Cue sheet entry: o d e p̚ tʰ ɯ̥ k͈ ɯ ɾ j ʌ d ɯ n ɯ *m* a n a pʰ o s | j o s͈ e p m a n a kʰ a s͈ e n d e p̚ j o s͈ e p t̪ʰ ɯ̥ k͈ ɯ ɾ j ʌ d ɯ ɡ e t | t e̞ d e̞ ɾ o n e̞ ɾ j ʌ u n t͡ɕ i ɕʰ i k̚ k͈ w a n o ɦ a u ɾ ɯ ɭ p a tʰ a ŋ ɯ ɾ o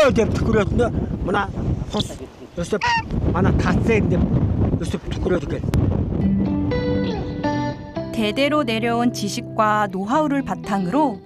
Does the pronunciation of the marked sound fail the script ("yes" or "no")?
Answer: no